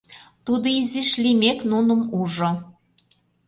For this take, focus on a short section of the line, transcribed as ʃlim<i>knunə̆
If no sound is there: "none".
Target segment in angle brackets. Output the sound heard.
e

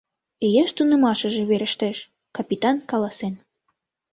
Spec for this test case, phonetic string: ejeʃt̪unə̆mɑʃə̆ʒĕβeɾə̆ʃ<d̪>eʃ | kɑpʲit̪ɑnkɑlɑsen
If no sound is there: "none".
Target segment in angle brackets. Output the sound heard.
t̪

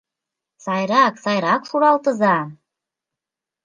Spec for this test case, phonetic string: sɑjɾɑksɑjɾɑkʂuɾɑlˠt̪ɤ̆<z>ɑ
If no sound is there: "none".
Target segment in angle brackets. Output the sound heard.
z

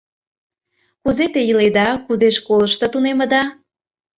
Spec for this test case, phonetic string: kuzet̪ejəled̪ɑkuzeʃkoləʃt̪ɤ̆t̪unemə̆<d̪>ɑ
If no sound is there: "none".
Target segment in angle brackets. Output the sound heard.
d̪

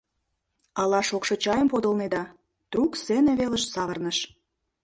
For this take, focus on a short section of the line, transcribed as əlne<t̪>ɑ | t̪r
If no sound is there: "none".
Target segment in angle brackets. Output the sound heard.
d̪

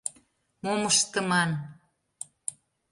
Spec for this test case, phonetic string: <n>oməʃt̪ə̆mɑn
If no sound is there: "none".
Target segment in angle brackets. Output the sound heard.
m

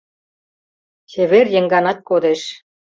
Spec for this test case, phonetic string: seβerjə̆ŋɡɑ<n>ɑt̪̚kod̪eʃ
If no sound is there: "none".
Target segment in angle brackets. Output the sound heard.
n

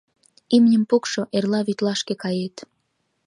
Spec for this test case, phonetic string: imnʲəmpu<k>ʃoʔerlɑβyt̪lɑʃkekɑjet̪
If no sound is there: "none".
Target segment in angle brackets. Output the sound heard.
k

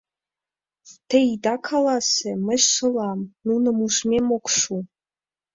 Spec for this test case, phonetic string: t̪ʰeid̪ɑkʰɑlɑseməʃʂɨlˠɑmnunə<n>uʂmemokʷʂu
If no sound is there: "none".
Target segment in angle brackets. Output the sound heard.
m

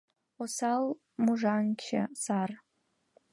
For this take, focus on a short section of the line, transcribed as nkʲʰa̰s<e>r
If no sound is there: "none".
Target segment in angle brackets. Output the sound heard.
a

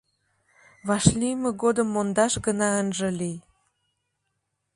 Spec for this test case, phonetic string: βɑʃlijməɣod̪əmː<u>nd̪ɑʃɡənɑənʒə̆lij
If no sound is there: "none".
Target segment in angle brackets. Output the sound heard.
o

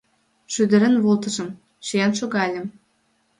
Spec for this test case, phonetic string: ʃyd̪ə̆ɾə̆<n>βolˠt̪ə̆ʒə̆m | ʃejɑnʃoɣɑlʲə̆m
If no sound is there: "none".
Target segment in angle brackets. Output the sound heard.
n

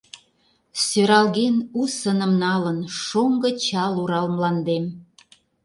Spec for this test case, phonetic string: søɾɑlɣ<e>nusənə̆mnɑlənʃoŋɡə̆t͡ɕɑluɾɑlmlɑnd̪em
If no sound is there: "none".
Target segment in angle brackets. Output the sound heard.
e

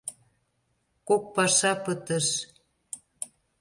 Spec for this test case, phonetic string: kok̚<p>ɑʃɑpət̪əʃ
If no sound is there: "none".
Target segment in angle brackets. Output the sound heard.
p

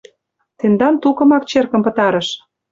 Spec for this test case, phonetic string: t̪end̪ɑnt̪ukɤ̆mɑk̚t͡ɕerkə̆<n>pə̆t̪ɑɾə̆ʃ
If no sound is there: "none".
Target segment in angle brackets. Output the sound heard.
m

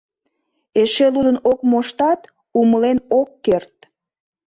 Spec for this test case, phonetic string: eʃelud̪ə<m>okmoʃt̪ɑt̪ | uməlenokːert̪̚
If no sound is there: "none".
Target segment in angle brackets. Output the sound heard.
n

